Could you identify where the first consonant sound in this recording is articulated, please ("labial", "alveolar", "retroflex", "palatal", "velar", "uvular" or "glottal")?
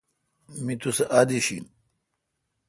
labial